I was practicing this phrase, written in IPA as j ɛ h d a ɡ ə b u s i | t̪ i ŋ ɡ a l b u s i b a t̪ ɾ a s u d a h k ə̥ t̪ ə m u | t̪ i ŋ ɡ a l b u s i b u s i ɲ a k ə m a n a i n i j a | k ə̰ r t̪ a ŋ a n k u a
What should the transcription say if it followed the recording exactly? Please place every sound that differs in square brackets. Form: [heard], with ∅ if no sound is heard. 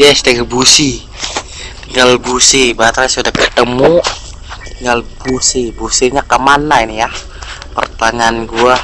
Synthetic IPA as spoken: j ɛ [s] d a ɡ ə b u s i | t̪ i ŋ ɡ a l b u s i b a t̪ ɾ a s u d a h k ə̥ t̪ ə m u | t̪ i ŋ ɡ a l b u s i b u s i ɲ a k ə m a n a i n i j a | [p] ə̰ r t̪ a ŋ a n [ɡ] u a